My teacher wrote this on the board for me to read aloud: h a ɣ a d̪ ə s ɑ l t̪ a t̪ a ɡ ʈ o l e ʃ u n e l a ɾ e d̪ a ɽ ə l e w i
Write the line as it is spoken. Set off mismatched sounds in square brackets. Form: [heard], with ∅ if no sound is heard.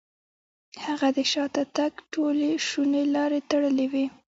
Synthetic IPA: h a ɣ a d̪ ə [ʃ] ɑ [∅] t̪ a t̪ a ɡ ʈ o l e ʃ u n e l [ɑ] ɾ e [t̪] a ɽ ə l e w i